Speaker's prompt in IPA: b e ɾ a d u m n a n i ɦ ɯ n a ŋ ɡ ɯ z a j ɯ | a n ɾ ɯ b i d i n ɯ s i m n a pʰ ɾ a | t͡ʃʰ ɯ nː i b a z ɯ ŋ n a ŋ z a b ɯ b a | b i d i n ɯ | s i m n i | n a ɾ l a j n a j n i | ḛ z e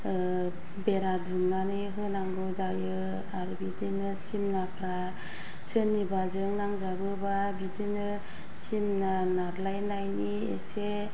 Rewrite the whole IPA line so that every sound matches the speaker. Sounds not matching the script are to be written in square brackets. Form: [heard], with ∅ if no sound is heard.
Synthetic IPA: b e ɾ a d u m n a n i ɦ ɯ n a ŋ ɡ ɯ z a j ɯ | a [∅] ɾ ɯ b i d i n ɯ s i m n a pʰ ɾ a | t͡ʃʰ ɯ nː i b a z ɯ ŋ n a ŋ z a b ɯ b a | b i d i n ɯ | s i m n [a] | n a ɾ l a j n a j n i | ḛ [s] e